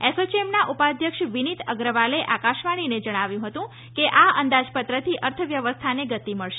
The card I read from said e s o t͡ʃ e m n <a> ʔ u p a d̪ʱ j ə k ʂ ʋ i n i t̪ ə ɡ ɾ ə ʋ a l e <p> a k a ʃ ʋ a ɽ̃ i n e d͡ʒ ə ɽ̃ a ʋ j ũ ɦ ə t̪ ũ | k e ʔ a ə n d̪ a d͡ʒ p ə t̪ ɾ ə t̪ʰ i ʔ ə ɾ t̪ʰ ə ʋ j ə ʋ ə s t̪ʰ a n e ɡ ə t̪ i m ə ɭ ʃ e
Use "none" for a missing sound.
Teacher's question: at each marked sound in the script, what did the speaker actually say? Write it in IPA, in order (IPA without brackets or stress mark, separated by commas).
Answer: a, ʔ